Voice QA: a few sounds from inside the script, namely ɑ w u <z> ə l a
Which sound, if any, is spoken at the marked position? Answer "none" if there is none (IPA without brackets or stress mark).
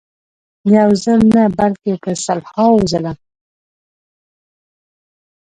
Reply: z